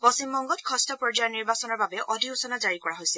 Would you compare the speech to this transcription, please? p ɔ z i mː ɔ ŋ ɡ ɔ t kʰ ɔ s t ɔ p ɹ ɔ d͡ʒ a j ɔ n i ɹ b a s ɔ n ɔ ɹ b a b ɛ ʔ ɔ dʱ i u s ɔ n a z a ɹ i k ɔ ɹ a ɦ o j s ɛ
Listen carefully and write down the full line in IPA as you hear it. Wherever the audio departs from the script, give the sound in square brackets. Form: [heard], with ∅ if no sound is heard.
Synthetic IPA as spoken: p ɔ [s] i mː ɔ ŋ ɡ ɔ t kʰ ɔ s t ɔ p ɹ ɔ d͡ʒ a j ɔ n i ɹ b a s ɔ n ɔ ɹ b a b ɛ ʔ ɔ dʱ i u s ɔ n a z a ɹ i k ɔ ɹ a ɦ o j s ɛ